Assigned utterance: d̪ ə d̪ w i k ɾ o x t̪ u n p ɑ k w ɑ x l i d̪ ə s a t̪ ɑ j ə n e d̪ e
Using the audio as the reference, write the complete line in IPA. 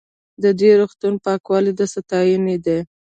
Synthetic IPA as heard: d̪ ə d̪ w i ɾ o x t̪ u n p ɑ k w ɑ l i d̪ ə s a t̪ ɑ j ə n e d̪ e